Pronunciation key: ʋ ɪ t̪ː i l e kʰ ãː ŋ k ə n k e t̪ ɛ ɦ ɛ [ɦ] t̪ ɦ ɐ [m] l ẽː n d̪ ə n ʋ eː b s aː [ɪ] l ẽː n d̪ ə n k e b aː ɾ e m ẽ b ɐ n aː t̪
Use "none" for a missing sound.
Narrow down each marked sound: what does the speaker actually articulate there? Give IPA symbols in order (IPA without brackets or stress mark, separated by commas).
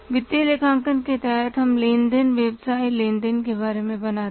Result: none, m, i